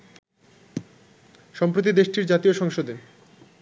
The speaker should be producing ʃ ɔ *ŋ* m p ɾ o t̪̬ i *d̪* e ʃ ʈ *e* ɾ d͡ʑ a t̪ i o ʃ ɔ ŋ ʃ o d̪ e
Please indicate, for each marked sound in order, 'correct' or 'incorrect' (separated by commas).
incorrect, correct, incorrect